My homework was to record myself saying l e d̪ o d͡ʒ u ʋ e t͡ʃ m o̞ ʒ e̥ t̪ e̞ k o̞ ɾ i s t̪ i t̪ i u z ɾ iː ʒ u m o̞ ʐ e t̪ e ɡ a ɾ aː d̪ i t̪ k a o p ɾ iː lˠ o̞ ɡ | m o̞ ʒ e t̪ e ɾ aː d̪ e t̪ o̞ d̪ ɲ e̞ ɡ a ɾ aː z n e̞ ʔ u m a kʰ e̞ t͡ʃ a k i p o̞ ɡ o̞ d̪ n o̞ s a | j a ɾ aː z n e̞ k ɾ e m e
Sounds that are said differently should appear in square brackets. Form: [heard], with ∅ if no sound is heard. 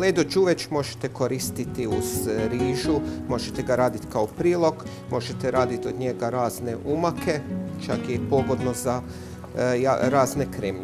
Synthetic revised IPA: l e d̪ o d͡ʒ u ʋ e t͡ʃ m o̞ ʒ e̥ t̪ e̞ k o̞ ɾ i s t̪ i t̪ i u z ɾ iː ʒ u m o̞ [ʒ] e t̪ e ɡ a ɾ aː d̪ i t̪ k a o p ɾ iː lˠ o̞ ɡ | m o̞ ʒ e t̪ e ɾ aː d̪ [i] t̪ o̞ d̪ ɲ e̞ ɡ a ɾ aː z n e̞ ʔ u m a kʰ e̞ t͡ʃ a k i p o̞ ɡ o̞ d̪ n o̞ [z] a | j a ɾ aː z n e̞ k ɾ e m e

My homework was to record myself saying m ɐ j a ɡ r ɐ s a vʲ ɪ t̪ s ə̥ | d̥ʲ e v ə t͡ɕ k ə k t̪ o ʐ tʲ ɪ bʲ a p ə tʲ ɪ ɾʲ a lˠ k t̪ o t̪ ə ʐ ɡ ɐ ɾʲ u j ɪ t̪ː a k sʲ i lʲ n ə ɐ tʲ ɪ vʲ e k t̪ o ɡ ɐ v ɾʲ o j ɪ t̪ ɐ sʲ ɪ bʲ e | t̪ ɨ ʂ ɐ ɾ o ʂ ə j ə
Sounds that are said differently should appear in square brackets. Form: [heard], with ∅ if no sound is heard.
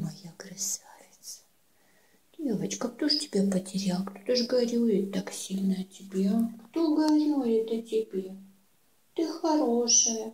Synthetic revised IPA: m ɐ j a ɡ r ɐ s a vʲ ɪ t̪ s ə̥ | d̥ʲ e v ə t͡ɕ k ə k t̪ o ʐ tʲ ɪ bʲ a p ə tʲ ɪ ɾʲ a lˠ k t̪ o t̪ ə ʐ ɡ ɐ ɾʲ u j ɪ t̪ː a k sʲ i lʲ n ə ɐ tʲ ɪ [bʲ] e k t̪ o ɡ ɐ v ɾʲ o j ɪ t̪ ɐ [tʲ] ɪ bʲ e | t̪ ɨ [x] ɐ ɾ o ʂ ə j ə

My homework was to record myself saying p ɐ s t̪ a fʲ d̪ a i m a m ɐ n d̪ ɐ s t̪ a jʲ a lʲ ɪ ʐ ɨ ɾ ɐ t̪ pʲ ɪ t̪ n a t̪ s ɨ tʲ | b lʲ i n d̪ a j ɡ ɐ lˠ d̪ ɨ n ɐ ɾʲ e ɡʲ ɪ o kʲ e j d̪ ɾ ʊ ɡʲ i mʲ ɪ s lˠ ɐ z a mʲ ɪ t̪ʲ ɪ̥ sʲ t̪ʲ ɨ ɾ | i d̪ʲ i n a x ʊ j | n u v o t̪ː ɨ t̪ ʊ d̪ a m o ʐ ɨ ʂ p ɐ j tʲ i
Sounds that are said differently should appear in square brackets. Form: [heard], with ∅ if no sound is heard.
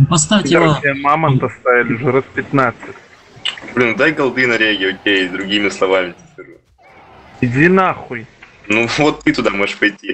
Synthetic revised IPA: p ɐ s t̪ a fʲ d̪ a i m a m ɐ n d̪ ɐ s t̪ a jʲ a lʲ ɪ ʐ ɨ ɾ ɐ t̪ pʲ ɪ t̪ n a t̪ s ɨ tʲ | b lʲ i n d̪ a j ɡ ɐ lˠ d̪ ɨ n ɐ ɾʲ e ɡʲ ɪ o kʲ e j d̪ ɾ ʊ ɡʲ i mʲ ɪ s lˠ ɐ [v] a mʲ ɪ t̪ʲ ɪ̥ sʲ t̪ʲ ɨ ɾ | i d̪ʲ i n a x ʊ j | n u v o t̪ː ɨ t̪ ʊ d̪ a m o ʐ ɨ ʂ p ɐ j tʲ i

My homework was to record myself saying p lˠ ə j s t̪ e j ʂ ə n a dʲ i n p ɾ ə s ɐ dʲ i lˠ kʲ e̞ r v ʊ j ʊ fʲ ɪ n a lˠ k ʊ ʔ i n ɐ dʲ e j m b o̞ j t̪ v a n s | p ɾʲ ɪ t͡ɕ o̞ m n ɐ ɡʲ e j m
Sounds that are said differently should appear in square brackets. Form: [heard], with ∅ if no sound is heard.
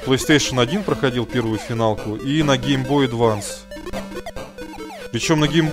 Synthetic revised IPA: p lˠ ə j s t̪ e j ʂ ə n [ɐ] dʲ i n p ɾ ə [x] ɐ dʲ i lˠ [pʲ] e̞ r v ʊ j ʊ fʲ ɪ n a lˠ k ʊ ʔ i n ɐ [ɡʲ] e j m b o̞ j [d̪] v a n s | p ɾʲ ɪ t͡ɕ o̞ m n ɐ ɡʲ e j m

